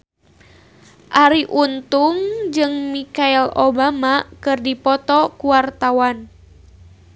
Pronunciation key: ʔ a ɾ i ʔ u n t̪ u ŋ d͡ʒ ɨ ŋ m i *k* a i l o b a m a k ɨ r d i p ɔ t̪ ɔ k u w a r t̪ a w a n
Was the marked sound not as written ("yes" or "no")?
no